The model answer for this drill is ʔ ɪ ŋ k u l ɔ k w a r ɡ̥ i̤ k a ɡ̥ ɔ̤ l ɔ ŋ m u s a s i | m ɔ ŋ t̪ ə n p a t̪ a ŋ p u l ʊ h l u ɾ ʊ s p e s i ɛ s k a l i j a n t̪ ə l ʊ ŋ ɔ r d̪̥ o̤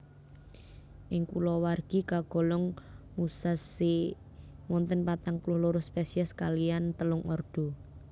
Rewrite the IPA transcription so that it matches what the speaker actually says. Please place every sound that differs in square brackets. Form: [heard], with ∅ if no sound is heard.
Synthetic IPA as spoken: ʔ ɪ ŋ k u l ɔ [∅] w a r ɡ̥ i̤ k a ɡ̥ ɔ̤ l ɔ ŋ m u s a s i | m ɔ [n] t̪ ə n p a t̪ a ŋ p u l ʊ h l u ɾ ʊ s p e s i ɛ s k a l i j a n t̪ ə l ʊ ŋ ɔ r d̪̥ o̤